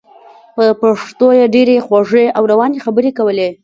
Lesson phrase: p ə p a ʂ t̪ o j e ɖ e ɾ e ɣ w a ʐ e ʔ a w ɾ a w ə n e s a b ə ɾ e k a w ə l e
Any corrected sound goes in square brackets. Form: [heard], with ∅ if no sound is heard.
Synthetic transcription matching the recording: p ə p a ʂ t̪ o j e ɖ e ɾ e [x] w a ʐ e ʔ a w ɾ a w [ɑ] n e [x] a b ə ɾ e k a w ə l e